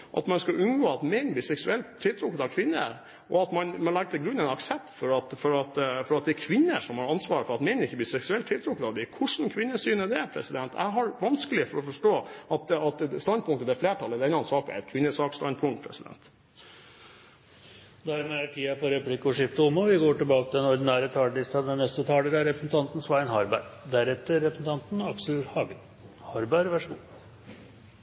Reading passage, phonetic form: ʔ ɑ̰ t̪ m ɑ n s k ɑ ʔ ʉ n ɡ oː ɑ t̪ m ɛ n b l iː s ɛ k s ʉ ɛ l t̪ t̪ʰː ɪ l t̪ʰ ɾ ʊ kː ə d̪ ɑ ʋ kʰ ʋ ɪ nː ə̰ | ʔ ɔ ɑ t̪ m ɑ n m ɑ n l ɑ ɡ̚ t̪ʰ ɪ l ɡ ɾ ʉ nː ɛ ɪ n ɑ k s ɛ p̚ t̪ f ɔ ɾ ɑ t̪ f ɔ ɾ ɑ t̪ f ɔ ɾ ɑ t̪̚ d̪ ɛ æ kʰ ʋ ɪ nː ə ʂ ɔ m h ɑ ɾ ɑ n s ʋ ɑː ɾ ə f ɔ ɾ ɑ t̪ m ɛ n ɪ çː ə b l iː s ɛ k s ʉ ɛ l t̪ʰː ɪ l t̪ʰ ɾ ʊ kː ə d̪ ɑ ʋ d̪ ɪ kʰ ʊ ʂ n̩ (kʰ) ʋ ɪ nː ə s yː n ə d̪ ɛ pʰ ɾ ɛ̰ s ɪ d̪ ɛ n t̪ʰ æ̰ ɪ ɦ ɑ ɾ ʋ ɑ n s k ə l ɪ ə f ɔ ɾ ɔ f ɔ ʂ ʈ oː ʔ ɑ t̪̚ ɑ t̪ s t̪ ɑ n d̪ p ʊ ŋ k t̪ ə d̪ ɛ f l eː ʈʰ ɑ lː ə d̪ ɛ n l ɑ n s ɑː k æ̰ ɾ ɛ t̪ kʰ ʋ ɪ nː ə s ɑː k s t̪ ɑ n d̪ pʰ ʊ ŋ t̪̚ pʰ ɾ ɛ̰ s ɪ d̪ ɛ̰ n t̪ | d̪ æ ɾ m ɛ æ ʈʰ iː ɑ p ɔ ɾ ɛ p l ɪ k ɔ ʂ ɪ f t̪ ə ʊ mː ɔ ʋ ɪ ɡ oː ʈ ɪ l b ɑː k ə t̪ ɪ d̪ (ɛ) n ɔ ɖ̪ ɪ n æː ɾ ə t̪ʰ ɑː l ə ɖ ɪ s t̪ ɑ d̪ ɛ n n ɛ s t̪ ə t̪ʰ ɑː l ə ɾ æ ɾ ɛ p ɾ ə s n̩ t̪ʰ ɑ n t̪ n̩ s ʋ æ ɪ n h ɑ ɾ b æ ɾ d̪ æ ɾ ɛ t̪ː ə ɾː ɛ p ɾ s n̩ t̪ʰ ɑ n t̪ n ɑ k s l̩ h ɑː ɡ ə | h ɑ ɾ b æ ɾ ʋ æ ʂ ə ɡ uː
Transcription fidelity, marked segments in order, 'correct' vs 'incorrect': correct, correct

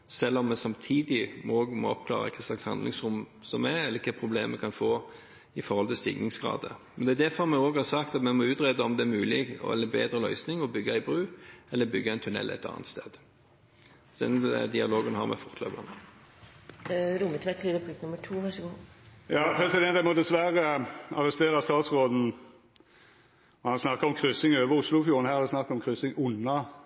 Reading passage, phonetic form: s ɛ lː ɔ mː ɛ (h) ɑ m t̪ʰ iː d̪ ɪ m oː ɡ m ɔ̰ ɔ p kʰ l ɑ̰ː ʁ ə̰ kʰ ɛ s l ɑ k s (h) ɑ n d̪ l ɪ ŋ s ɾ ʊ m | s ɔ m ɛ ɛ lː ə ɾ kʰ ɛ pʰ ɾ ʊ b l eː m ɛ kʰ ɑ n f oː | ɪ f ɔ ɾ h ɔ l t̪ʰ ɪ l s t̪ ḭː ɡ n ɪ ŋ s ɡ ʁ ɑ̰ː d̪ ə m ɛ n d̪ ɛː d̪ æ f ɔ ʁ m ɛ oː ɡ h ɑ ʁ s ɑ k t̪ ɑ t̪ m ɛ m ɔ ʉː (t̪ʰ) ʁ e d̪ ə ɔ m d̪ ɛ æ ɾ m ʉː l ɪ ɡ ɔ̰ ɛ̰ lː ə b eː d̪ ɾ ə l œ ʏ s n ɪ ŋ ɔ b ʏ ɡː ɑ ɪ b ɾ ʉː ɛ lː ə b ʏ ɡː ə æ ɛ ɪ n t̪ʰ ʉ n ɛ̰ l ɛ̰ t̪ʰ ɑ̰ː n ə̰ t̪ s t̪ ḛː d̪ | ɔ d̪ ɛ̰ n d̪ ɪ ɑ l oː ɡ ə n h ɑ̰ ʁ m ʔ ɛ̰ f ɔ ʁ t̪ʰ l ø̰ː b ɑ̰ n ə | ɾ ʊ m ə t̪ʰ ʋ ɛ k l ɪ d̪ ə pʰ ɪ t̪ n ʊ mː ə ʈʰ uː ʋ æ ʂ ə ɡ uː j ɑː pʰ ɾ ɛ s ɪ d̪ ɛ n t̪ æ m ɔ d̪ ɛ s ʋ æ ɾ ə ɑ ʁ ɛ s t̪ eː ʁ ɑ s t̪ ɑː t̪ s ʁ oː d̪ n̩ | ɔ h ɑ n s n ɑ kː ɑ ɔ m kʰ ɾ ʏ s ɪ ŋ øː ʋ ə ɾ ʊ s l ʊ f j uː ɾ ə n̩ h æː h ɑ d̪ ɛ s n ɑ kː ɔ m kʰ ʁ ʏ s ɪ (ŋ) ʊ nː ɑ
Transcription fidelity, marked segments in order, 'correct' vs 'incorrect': incorrect: s, correct, incorrect: t̪, correct

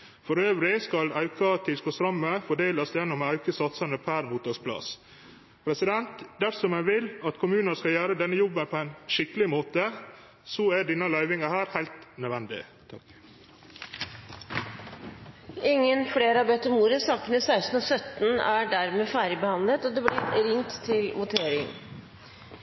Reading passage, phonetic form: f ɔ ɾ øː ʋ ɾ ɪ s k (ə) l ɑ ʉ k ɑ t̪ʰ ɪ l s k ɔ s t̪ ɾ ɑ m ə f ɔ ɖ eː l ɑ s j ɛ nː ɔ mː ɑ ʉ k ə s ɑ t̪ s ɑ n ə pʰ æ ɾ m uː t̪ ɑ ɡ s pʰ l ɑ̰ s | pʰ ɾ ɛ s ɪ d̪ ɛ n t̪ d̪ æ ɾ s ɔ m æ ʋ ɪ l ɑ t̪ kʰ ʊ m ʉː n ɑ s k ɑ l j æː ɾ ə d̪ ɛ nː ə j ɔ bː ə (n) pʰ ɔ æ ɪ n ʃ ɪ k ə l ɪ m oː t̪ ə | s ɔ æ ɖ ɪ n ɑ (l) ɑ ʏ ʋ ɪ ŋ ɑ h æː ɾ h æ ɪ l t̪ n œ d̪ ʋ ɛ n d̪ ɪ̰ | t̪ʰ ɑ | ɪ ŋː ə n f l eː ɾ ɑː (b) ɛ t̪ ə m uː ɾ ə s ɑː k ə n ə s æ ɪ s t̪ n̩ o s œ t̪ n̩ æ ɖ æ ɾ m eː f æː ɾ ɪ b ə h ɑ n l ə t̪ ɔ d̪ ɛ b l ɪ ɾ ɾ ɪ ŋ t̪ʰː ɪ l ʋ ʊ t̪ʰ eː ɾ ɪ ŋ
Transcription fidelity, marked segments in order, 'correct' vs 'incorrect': incorrect: ɑ, correct, correct, correct

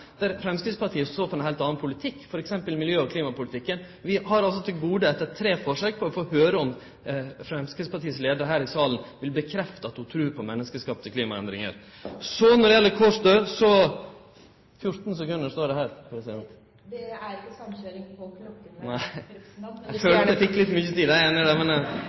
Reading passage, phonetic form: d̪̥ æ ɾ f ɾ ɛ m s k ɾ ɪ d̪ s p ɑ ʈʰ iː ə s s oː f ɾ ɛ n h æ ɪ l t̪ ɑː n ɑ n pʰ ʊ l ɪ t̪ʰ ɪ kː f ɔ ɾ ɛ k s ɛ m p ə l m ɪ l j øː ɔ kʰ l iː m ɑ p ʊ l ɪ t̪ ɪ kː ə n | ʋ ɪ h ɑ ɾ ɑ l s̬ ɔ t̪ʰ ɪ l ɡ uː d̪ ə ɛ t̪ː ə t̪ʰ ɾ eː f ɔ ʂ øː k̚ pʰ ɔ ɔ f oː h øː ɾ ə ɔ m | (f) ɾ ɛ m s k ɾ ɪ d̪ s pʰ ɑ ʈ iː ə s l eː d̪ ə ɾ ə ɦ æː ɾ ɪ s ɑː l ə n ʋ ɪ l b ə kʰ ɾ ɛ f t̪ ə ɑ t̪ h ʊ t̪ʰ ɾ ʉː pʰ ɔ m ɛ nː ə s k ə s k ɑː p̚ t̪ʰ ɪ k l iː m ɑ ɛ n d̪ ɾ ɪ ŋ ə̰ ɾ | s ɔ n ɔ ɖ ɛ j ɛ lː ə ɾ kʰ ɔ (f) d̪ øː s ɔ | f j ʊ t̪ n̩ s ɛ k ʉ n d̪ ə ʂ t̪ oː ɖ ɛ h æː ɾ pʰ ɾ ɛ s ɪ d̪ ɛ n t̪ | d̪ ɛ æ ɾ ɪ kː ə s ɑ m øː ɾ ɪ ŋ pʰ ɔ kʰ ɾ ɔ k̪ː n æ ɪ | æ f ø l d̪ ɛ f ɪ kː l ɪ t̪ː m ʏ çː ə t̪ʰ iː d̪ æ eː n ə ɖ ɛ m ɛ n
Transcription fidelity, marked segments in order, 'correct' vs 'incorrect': correct, incorrect: ʂ

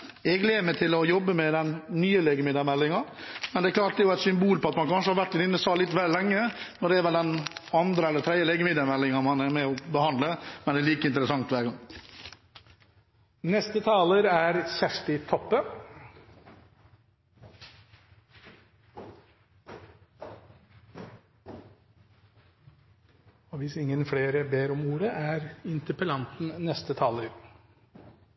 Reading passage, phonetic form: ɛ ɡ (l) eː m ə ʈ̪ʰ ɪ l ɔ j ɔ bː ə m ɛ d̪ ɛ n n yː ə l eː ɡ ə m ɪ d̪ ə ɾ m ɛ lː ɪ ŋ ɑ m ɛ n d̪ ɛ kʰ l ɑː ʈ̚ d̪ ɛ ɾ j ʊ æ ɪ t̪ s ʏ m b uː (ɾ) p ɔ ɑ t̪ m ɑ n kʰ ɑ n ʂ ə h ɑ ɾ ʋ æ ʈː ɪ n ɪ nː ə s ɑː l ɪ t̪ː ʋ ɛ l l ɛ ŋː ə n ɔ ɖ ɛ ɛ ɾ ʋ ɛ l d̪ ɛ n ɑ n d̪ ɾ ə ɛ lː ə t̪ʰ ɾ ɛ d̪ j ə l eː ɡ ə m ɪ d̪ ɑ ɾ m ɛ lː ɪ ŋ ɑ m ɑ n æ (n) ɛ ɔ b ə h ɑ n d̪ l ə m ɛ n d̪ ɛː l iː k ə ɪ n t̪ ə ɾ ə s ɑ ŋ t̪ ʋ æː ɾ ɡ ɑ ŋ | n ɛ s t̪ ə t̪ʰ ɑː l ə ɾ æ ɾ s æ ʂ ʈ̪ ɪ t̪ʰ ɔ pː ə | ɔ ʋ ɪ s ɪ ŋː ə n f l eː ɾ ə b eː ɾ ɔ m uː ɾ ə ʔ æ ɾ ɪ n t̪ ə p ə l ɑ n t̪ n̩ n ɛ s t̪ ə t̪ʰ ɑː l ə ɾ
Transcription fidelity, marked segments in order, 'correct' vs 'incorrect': correct, incorrect: l, incorrect: m

